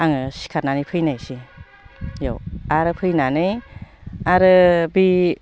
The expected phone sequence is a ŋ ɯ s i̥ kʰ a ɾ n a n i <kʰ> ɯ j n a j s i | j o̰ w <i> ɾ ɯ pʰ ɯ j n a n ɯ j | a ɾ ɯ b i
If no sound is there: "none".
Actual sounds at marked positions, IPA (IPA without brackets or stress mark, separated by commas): pʰ, a